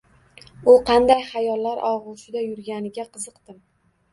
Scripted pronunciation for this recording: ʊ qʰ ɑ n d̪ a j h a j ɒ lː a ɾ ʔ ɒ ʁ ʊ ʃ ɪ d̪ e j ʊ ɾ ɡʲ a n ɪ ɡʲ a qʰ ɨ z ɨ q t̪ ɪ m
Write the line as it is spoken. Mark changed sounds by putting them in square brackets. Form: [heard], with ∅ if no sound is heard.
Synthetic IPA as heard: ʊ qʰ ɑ n d̪ a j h a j ɒ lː a ɾ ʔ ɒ ʁ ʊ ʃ ɪ d̪ [a] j ʊ ɾ ɡʲ a n ɪ ɡʲ a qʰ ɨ z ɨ q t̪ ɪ m